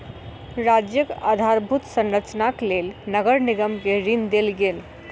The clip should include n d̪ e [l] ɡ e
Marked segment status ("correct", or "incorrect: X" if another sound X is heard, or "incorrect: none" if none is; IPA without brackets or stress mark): correct